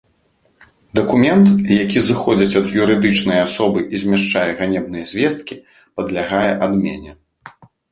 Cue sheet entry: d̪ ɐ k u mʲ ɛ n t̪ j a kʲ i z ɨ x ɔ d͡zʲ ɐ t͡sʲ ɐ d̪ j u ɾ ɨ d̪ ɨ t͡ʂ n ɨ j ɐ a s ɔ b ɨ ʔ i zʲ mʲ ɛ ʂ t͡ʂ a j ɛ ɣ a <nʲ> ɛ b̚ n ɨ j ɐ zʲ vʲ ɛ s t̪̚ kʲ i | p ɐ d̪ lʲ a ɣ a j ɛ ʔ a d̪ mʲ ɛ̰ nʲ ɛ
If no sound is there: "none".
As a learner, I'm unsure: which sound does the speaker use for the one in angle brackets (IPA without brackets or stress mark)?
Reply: nʲ